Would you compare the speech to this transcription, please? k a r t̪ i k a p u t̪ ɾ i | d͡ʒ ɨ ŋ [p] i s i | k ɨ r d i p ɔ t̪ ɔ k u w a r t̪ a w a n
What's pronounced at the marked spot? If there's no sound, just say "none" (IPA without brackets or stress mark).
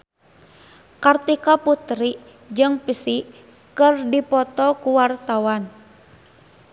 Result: p